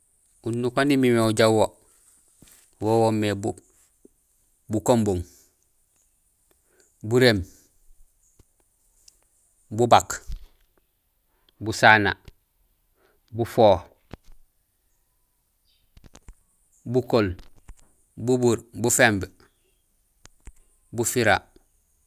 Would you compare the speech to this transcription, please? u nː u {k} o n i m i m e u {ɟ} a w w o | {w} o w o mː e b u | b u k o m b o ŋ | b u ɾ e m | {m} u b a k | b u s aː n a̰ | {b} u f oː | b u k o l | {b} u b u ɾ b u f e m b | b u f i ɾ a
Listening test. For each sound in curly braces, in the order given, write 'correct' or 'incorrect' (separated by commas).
correct, correct, correct, incorrect, correct, correct